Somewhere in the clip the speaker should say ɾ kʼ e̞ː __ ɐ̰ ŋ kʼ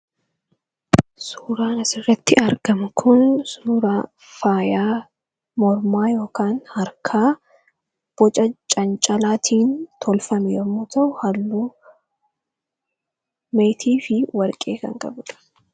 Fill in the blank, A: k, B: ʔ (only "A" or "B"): A